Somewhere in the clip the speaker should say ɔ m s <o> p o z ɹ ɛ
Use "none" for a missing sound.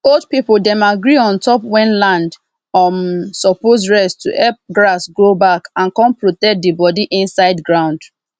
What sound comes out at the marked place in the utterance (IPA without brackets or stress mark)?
ɔ